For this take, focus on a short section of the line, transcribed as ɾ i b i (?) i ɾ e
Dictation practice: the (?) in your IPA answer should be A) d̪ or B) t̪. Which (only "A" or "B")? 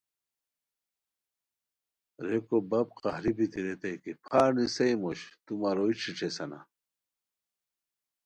B